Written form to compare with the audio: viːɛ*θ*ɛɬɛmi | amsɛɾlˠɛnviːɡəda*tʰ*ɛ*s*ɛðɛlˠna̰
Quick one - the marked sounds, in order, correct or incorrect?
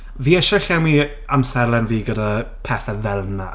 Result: incorrect, incorrect, incorrect

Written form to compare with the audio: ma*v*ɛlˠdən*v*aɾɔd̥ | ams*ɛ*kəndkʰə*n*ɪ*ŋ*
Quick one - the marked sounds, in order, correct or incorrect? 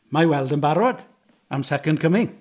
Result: incorrect, incorrect, correct, incorrect, correct

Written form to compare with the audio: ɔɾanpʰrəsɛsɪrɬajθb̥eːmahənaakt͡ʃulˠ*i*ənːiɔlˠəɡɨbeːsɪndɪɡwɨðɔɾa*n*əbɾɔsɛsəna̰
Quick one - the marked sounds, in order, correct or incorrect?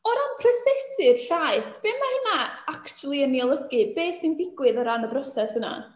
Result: correct, correct

